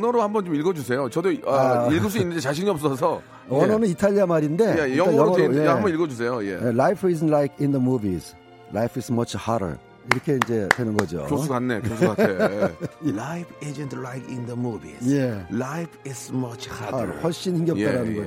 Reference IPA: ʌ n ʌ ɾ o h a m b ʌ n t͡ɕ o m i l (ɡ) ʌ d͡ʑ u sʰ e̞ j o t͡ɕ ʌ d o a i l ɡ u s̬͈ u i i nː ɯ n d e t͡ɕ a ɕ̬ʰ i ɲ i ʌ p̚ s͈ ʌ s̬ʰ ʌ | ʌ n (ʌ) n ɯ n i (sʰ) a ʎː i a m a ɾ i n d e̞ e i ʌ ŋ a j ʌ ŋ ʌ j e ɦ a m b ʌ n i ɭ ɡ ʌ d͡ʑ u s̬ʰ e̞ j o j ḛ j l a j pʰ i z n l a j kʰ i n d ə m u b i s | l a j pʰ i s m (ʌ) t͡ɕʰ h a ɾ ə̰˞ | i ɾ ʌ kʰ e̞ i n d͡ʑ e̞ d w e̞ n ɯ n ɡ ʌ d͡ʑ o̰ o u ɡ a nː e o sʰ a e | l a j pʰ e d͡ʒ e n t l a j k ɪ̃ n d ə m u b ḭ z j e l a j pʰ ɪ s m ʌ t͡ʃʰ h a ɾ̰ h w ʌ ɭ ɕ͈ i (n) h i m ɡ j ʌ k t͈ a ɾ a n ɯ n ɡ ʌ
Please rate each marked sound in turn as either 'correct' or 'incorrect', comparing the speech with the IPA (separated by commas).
correct, correct, incorrect, correct, correct